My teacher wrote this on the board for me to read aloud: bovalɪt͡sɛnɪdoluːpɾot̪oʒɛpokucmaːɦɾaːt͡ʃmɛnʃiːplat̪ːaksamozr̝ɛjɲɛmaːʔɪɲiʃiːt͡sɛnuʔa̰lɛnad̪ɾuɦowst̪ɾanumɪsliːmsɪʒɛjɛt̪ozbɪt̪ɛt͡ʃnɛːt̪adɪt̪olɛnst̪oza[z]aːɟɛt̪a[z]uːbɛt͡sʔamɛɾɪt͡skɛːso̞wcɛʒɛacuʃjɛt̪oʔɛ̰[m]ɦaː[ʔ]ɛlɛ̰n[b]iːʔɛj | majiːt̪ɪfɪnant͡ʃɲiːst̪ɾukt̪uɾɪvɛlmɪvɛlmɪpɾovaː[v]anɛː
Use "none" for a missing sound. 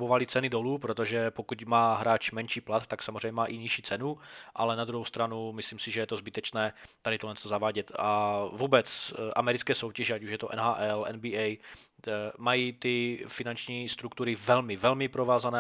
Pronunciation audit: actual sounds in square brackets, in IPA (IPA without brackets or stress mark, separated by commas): v, v, n, ʔ, b, z